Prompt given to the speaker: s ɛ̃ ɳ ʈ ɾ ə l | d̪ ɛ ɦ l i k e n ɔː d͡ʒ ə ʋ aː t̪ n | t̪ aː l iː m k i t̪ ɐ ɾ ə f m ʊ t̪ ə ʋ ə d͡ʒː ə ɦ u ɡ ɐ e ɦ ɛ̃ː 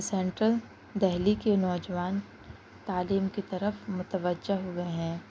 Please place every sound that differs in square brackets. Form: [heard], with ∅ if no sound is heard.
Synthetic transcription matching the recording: s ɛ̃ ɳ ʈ ɾ ə l | d̪ ɛ ɦ l i k e n ɔː d͡ʒ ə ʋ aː [∅] n | t̪ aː l iː m k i t̪ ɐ ɾ ə f m ʊ t̪ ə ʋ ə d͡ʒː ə ɦ [o] ɡ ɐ e ɦ ɛ̃ː